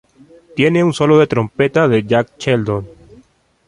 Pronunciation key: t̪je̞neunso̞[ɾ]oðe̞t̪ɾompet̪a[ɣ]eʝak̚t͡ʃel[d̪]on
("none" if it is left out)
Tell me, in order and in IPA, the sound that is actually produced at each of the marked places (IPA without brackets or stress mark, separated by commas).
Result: l, ð, d̪